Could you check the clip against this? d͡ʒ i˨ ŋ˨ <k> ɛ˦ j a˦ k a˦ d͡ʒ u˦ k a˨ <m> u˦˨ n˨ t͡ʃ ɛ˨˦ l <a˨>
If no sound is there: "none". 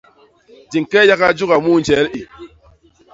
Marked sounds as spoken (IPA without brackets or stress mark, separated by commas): k, m, i˨